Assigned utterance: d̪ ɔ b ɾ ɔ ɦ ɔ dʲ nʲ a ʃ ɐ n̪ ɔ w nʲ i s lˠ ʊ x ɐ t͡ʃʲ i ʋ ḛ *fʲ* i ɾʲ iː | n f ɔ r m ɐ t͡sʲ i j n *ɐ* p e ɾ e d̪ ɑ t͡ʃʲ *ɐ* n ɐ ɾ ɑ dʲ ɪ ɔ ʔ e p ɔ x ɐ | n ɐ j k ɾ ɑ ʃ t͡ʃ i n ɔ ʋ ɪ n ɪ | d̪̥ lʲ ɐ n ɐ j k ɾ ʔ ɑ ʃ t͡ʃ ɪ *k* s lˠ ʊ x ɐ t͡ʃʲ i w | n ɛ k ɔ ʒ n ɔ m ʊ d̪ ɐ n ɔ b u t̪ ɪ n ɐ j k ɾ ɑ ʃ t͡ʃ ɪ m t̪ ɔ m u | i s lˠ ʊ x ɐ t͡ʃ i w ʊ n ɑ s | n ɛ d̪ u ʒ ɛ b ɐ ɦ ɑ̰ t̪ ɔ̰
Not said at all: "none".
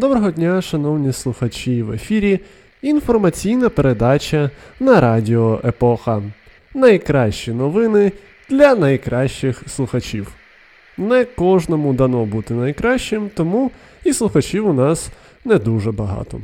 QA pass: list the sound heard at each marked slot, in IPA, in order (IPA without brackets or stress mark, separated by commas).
fʲ, ɐ, ɐ, x